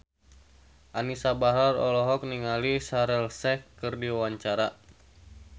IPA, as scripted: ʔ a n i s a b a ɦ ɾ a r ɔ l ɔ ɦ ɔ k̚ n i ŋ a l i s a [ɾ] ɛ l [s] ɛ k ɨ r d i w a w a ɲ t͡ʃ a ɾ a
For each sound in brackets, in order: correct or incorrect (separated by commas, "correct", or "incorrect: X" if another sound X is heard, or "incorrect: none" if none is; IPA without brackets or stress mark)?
correct, correct